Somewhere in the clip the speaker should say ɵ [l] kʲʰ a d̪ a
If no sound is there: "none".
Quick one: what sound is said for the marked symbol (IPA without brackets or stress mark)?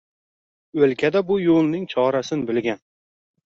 l